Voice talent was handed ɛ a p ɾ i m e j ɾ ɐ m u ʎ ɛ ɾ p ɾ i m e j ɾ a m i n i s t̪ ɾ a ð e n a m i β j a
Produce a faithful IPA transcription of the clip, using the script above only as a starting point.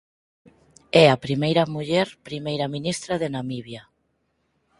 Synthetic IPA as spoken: ɛ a p ɾ i m e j ɾ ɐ m u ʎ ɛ ɾ p ɾ i m e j ɾ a m i n i s t̪ ɾ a ð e n a m i β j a